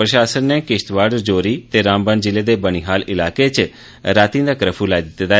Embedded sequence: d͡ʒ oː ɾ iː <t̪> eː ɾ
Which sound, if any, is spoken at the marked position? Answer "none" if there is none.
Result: t̪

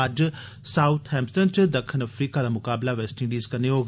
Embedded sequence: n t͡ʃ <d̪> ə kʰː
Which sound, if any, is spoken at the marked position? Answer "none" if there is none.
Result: d̪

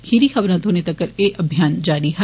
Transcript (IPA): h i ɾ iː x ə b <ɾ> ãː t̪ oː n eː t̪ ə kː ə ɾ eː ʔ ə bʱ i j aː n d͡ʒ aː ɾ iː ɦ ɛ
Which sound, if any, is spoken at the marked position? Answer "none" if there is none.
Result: ɾ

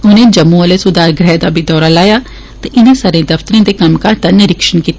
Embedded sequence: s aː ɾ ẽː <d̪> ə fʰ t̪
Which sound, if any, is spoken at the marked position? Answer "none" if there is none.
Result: d̪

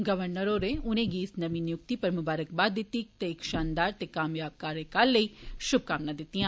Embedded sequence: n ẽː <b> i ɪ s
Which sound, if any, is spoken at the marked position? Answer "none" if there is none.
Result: ɡ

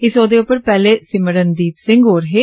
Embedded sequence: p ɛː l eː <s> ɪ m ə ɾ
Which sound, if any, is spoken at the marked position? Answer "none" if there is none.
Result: s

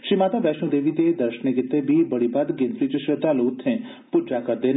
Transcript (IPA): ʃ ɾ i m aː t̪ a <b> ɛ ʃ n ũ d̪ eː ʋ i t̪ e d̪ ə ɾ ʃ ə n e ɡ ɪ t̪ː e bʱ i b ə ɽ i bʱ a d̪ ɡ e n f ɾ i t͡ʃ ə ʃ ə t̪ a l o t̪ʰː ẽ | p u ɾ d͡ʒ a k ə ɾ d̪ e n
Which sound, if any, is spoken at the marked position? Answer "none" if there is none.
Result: b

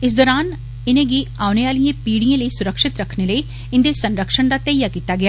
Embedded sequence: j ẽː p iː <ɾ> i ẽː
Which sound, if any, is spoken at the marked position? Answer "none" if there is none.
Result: ɽ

